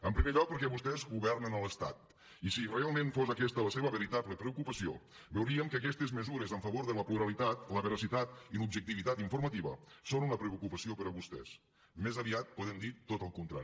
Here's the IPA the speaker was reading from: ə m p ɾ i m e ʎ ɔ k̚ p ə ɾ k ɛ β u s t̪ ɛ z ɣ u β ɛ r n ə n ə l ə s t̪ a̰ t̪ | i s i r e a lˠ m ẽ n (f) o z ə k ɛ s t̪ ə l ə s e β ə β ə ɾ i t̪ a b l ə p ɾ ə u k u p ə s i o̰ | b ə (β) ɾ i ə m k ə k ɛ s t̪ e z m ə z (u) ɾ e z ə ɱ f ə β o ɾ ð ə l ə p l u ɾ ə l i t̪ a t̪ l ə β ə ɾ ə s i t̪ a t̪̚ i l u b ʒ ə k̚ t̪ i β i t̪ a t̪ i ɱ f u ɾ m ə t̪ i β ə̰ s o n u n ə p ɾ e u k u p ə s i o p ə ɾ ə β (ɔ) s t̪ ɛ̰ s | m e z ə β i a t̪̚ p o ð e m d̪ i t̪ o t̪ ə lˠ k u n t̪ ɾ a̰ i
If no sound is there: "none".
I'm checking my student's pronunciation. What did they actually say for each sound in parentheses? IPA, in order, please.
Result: f, w, u, u

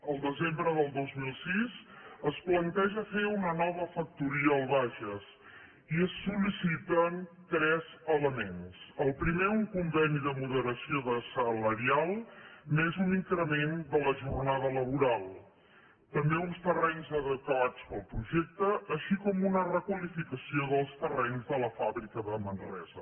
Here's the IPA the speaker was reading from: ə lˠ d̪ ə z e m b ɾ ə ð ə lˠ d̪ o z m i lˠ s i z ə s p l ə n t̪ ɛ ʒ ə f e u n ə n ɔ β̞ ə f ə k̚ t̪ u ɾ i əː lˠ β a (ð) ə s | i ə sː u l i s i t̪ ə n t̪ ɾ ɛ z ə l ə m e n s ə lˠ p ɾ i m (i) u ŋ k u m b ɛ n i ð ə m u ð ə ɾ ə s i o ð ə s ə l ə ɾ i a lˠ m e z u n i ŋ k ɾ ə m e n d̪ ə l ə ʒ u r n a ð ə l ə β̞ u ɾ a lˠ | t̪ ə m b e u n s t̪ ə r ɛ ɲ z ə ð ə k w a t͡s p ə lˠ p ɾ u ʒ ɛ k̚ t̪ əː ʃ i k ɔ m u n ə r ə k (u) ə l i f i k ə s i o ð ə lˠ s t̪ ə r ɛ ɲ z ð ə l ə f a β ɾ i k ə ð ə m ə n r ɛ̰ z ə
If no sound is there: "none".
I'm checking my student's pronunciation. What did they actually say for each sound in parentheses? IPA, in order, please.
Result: ʒ, e, w

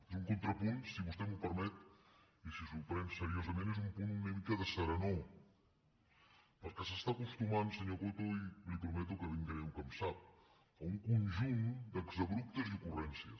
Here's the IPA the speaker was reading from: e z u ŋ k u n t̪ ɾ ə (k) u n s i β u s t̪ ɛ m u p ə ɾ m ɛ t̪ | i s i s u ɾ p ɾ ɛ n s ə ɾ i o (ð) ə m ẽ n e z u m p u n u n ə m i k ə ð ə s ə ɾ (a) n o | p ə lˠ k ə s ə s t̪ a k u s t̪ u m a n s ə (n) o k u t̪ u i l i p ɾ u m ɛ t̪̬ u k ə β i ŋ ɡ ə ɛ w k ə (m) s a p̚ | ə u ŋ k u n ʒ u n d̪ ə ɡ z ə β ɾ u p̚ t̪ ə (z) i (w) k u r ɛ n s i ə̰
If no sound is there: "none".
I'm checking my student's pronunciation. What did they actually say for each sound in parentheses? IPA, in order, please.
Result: p, z, ə, ɲ, m, z, u

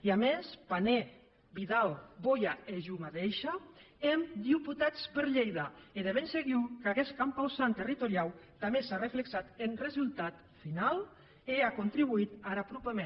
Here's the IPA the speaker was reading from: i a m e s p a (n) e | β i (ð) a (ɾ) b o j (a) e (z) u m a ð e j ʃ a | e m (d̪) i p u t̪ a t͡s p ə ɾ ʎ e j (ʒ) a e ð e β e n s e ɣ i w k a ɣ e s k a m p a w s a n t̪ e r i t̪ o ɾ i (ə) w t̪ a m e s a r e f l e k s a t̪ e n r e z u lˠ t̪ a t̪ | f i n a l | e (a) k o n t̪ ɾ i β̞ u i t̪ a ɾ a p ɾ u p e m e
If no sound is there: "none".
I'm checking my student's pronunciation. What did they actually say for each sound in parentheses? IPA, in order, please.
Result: n, ð, l, a, ʒ, d̪, ð, a, a

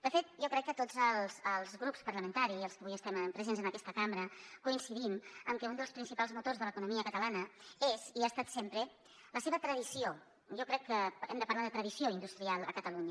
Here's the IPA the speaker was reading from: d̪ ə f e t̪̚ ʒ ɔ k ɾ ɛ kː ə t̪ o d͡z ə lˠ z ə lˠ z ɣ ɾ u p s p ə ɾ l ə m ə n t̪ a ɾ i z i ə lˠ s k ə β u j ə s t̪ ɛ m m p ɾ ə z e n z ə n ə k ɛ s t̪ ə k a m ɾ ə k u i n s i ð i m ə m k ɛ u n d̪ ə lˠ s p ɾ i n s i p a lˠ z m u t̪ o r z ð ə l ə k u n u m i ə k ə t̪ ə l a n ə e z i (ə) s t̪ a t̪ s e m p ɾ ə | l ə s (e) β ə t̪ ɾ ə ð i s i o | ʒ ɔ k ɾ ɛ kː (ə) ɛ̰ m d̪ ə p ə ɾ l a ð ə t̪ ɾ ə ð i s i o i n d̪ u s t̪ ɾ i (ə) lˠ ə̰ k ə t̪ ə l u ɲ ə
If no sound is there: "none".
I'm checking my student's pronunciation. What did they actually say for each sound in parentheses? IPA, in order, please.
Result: a, e, ə, a

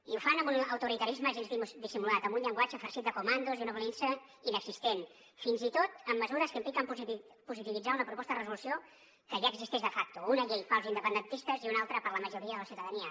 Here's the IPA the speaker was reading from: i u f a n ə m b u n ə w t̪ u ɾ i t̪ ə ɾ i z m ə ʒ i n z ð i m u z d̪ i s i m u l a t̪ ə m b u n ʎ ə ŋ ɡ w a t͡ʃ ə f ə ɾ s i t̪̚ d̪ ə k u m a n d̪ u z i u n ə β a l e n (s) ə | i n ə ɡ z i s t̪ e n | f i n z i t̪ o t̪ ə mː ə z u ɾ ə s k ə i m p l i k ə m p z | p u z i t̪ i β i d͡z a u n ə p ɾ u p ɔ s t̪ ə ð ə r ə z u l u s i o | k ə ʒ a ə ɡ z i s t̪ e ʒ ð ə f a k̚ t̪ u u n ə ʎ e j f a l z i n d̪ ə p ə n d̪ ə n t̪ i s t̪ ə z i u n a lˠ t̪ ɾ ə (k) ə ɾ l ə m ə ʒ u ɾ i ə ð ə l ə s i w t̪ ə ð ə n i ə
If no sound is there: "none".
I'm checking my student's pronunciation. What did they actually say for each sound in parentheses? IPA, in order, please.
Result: s, p

